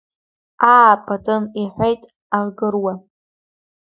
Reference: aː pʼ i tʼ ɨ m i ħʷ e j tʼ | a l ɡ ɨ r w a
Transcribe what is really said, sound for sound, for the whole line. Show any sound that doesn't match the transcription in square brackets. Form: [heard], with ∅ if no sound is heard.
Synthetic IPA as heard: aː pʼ [a] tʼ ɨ [n] i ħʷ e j tʼ | a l ɡ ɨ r w a

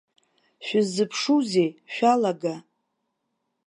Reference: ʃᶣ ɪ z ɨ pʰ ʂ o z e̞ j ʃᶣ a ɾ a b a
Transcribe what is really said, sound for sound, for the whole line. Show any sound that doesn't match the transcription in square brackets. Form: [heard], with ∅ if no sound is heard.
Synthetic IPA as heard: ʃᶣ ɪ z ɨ pʰ ʂ [u] z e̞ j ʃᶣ a [l] a [ɡ] a

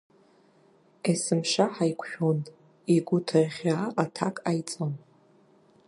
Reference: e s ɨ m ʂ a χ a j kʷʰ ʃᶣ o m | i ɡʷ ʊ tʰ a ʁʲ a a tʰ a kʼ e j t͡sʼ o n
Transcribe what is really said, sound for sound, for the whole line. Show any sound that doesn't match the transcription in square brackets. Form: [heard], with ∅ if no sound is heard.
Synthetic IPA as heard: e s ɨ m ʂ a [ħ] a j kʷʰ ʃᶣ o [n] | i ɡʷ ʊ tʰ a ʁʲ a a tʰ a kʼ [a] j t͡sʼ o n

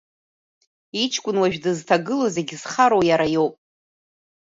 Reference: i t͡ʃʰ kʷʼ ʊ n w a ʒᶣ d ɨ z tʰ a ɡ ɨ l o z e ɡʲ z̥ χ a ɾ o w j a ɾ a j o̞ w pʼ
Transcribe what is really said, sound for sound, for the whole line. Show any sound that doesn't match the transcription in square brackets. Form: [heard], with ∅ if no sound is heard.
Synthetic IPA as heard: i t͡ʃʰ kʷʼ ʊ n w a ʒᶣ d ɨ z tʰ a ɡ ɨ l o z e ɡʲ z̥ χ a ɾ o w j a ɾ a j o̞ w pʼ

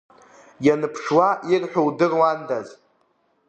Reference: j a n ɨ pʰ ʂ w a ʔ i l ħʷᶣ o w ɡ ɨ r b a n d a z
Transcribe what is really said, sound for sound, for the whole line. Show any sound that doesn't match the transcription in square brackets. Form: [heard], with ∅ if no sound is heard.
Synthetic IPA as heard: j a n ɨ pʰ ʂ w a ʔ i [r] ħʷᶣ o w [d] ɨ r [w] a n d a z

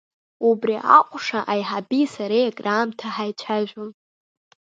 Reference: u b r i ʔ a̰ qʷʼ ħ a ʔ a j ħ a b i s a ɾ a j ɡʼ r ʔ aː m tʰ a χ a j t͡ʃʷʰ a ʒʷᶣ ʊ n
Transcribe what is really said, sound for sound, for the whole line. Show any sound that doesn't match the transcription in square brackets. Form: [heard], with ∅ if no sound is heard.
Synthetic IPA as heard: u b r i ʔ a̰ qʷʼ [ʂ] a ʔ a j ħ a b i s a ɾ [e] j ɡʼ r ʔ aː m tʰ a [ħ] a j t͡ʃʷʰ a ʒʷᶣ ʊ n

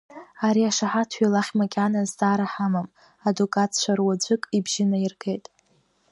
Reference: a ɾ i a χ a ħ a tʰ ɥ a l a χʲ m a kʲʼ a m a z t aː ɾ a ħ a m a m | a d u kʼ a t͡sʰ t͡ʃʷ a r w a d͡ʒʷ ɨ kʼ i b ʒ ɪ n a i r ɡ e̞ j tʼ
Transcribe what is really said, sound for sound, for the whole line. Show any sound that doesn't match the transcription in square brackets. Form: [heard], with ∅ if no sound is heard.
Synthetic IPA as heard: a ɾ i a [ʂ] a ħ a tʰ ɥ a l a χʲ m a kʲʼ a [n] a z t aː ɾ a ħ a m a m | a d u kʼ a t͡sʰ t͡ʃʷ a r w a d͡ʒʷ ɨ kʼ i b ʒ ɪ n a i r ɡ e̞ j tʼ

